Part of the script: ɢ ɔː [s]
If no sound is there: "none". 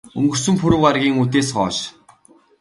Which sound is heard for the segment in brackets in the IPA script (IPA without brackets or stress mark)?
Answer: ʃ